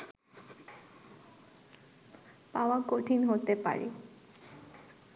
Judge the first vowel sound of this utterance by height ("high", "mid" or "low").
low